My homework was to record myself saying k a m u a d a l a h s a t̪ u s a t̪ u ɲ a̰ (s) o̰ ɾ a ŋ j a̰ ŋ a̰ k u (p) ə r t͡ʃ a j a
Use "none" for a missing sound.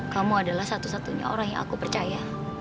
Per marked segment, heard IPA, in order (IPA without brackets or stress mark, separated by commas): none, p